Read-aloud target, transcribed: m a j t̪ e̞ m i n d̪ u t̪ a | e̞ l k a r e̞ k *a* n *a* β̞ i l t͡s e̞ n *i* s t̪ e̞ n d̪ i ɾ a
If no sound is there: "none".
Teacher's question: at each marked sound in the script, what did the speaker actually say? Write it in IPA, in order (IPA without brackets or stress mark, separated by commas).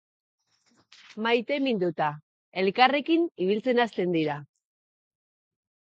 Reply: i, i, a